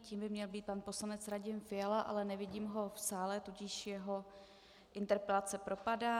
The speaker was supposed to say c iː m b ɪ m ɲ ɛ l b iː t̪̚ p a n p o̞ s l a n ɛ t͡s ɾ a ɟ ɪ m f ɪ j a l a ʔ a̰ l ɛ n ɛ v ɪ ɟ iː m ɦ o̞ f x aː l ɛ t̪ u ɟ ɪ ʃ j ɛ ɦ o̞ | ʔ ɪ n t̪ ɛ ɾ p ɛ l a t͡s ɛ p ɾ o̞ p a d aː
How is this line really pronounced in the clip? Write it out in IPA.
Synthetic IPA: c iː m b ɪ m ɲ ɛ l b iː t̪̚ p a n p o̞ s l a n ɛ t͡s ɾ a ɟ ɪ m f ɪ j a l a ʔ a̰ l ɛ n ɛ v ɪ ɟ iː m ɦ o̞ f s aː l ɛ t̪ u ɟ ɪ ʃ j ɛ ɦ o̞ | ʔ ɪ n t̪ ɛ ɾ p ɛ l a t͡s ɛ p ɾ o̞ p a d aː